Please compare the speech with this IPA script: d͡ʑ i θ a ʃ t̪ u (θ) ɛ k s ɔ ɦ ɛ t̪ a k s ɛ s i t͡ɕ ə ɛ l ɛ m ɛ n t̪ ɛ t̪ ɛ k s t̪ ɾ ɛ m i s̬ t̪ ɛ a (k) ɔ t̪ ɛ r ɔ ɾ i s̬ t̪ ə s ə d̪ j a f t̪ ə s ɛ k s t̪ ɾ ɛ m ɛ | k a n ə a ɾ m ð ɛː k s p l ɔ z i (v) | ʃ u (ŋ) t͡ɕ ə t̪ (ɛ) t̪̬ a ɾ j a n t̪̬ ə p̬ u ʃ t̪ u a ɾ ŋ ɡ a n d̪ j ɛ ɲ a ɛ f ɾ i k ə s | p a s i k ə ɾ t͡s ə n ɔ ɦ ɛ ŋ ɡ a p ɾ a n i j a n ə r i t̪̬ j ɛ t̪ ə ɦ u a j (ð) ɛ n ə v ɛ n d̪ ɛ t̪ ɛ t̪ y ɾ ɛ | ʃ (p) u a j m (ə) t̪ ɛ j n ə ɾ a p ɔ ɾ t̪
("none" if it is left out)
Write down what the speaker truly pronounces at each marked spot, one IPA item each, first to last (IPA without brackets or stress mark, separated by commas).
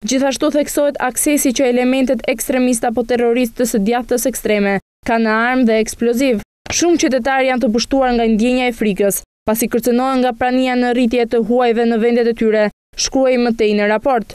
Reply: θ, p, v, m, ɛ, v, k, ə